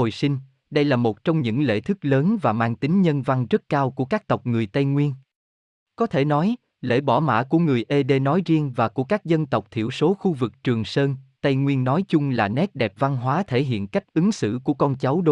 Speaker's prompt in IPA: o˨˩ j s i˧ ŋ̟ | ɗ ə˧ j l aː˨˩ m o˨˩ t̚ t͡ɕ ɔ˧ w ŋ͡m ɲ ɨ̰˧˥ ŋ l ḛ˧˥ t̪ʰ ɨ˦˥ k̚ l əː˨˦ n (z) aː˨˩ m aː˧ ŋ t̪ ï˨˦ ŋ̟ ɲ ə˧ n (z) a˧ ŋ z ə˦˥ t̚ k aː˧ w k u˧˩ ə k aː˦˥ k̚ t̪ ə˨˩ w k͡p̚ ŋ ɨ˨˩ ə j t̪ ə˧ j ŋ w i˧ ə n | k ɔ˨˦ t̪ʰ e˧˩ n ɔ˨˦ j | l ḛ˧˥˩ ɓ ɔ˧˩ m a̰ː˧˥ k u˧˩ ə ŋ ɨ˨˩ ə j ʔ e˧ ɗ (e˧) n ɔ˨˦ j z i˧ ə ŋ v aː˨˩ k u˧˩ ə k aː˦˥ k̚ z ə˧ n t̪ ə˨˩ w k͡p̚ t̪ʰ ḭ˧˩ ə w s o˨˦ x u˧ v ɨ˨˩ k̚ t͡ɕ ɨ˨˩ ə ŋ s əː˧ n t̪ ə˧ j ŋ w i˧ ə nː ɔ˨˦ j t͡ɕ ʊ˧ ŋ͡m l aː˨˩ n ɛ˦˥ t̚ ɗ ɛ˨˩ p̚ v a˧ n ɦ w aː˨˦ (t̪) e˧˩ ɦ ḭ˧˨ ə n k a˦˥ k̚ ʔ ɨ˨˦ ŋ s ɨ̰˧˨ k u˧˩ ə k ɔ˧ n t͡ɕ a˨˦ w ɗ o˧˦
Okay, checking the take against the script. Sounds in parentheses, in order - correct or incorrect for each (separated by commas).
incorrect, incorrect, correct, incorrect